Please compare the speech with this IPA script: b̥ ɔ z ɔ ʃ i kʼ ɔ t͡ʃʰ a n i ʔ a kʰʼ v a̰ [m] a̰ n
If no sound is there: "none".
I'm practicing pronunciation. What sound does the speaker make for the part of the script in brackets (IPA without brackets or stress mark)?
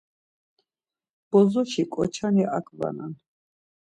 n